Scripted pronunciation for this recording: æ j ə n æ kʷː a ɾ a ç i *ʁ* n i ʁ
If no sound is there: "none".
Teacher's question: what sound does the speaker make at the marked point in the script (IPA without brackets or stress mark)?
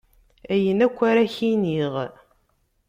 none